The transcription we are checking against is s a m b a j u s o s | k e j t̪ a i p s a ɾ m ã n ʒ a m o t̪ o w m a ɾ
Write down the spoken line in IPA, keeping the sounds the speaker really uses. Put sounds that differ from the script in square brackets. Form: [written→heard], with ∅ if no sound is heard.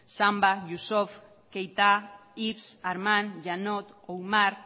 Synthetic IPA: s a m b a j u s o [s→f] | k e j t̪ a i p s a ɾ m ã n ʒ a [m→n] o t̪ o w m a ɾ